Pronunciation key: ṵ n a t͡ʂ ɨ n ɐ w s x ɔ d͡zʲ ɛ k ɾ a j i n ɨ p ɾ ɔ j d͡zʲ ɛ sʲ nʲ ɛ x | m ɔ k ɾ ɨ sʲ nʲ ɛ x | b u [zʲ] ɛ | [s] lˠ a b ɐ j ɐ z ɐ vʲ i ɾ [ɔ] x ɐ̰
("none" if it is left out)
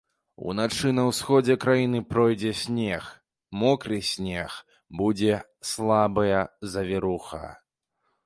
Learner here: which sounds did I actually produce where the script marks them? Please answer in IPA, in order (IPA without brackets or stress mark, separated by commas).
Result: d͡zʲ, s, u